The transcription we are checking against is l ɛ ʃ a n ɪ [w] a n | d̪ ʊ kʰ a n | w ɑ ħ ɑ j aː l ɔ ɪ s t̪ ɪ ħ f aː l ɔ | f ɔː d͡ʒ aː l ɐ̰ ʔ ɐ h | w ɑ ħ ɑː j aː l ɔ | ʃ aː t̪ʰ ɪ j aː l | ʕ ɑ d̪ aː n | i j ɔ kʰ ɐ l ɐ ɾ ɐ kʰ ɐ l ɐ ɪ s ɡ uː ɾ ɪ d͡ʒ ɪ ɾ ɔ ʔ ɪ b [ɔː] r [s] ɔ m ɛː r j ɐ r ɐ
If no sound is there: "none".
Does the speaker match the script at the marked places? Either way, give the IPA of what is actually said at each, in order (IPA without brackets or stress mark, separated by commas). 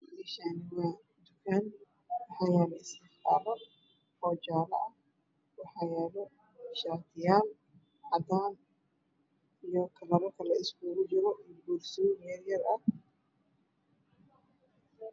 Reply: w, uː, s